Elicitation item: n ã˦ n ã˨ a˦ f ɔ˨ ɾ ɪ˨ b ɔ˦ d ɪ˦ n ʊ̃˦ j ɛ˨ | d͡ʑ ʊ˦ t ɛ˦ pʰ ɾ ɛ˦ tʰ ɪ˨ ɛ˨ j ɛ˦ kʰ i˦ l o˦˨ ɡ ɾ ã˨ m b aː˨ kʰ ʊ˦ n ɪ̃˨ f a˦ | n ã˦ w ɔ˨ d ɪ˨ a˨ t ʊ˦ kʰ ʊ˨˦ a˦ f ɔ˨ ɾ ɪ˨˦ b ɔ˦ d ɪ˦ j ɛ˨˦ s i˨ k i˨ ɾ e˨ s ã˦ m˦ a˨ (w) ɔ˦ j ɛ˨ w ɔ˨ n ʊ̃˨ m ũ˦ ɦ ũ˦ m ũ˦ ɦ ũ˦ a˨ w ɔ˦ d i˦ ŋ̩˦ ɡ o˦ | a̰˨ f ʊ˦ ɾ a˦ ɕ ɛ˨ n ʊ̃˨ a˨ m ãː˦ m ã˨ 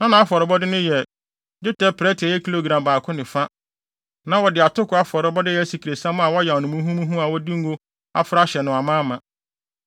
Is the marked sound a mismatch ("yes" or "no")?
no